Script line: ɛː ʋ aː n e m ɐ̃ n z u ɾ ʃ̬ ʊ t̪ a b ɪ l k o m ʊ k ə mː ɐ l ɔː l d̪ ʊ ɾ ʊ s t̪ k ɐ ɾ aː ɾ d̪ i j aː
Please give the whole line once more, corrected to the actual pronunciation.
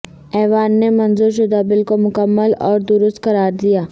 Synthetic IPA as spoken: ɛː ʋ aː nː e m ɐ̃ n z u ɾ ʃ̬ ʊ d̪ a b ɪ l k o m ʊ k ə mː ə l ɔː ɾ d̪ ʊ ɾ ʊ s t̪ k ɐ ɾ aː ɾ d̪ i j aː